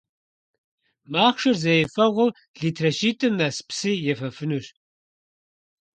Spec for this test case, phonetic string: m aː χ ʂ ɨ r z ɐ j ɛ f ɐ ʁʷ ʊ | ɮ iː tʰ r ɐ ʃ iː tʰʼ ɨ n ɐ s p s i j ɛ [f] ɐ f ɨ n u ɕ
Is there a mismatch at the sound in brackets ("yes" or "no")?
no